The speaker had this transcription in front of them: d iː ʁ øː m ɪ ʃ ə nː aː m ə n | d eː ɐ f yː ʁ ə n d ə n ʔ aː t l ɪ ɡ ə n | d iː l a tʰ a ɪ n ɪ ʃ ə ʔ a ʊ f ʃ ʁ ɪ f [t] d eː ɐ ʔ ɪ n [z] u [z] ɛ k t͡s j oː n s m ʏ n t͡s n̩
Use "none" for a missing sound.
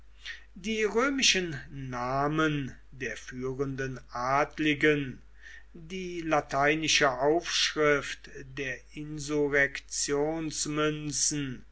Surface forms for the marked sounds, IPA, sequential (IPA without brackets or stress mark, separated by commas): t, z, ʁ